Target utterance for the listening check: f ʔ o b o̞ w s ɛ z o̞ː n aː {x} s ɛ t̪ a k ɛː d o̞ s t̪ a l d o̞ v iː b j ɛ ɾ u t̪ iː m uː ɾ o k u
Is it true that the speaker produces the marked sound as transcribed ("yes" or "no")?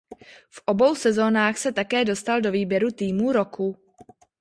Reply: yes